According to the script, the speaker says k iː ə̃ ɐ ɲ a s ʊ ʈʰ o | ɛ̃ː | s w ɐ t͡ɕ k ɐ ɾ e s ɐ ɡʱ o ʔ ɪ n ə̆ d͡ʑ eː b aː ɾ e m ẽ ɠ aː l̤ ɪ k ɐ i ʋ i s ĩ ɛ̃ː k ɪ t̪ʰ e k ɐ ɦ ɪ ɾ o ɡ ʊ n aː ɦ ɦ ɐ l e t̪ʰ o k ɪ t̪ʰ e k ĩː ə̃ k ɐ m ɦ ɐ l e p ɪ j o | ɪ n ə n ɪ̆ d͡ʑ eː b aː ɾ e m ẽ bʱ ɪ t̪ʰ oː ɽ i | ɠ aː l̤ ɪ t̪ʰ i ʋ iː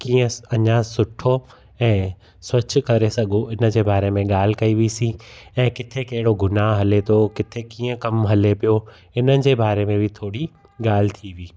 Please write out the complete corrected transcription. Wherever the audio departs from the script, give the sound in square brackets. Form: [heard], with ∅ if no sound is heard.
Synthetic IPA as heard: k iː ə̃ ɐ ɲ a s ʊ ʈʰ o | ɛ̃ː | s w ɐ t͡ɕ k ɐ ɾ e s ɐ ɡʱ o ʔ ɪ n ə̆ d͡ʑ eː b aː ɾ e m ẽ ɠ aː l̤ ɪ k ɐ i ʋ i s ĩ ɛ̃ː k ɪ t̪ʰ e k ɐ ɦ ɪ [ɽ] o ɡ ʊ n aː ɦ ɦ ɐ l e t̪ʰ o k ɪ t̪ʰ e k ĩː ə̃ k ɐ m ɦ ɐ l e p [i] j o | ɪ n ə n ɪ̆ d͡ʑ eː b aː ɾ e m ẽ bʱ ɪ t̪ʰ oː ɽ i | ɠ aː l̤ ɪ t̪ʰ i ʋ iː